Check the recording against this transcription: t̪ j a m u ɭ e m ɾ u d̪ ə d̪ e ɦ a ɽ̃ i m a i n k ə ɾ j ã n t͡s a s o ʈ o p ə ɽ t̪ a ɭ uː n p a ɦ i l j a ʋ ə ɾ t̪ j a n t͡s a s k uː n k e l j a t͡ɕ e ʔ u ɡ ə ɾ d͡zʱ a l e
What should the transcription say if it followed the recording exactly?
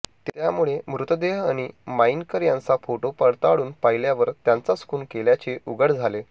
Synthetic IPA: t̪ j a m u ɭ e m ɾ u t̪ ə d̪ e ɦ a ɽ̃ i m a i n k ə ɾ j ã n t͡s a f o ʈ o p ə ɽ t̪ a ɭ uː n p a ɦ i l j a ʋ ə ɾ t̪ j a n t͡s a s k uː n k e l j a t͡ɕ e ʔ u ɡ ə ɽ d͡zʱ a l e